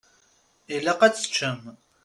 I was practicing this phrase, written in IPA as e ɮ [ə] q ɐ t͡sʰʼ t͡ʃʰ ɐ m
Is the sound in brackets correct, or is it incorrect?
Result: incorrect